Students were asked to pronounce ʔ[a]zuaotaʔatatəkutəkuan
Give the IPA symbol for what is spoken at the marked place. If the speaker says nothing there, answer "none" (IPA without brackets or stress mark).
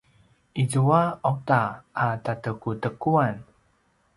i